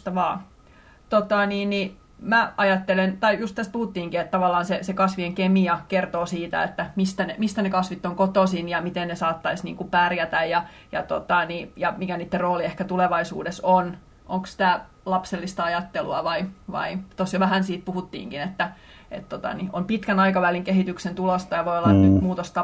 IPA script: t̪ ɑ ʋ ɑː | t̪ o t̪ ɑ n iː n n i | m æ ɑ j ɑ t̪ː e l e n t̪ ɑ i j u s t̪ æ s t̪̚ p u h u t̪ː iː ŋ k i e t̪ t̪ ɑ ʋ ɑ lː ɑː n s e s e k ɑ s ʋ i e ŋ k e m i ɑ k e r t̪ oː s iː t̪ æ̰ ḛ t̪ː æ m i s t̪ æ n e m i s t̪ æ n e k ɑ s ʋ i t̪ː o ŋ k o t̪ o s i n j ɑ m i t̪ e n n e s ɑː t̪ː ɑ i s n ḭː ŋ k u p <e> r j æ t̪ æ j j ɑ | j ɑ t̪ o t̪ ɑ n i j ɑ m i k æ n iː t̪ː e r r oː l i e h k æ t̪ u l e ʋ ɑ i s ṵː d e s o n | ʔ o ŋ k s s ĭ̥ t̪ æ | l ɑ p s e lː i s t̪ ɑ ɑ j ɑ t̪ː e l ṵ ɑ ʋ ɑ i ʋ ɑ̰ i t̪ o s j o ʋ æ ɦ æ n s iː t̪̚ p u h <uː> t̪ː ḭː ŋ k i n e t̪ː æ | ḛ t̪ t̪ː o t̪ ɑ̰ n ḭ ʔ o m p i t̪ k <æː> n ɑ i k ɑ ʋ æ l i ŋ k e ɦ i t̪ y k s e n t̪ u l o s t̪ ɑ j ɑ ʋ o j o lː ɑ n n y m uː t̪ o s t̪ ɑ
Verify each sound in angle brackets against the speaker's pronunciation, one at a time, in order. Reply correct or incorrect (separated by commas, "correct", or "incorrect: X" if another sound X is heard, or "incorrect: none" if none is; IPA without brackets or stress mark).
incorrect: æ, incorrect: u, incorrect: æ